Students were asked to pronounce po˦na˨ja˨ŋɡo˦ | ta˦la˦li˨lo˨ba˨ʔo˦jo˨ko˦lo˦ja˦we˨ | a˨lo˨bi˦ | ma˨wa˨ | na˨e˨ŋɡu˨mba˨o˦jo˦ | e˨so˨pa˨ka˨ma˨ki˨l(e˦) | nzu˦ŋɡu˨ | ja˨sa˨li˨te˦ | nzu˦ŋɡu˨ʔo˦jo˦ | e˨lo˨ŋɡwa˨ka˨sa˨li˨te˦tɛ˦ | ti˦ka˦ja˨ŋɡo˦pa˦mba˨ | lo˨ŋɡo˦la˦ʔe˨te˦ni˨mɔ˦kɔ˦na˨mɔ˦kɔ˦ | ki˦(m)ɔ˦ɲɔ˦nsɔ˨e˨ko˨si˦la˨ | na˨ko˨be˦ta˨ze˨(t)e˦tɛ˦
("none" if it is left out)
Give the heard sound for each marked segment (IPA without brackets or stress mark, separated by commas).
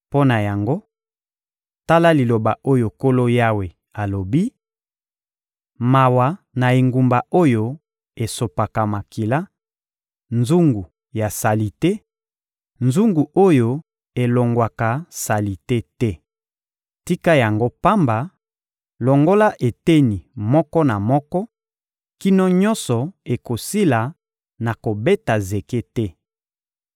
a˦, n, k